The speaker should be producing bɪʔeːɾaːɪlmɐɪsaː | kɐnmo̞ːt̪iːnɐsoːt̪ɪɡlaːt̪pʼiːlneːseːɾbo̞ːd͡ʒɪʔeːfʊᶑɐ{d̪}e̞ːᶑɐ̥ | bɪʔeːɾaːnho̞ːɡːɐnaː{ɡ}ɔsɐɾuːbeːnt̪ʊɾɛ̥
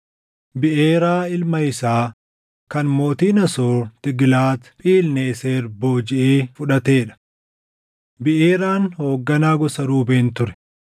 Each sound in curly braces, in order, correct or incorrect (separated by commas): incorrect, correct